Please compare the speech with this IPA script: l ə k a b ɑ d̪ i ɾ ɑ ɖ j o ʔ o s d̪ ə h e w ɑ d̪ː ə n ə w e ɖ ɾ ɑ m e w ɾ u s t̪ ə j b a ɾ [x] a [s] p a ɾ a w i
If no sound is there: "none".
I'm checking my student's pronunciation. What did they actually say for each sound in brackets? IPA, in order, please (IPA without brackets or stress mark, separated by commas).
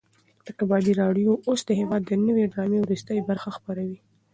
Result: x, x